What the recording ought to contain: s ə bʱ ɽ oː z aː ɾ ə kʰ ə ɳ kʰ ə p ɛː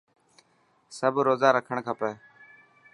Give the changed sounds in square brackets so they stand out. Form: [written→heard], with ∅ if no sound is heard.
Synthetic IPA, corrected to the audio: s ə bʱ [ɽ→ɾ] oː z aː ɾ ə kʰ ə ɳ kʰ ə p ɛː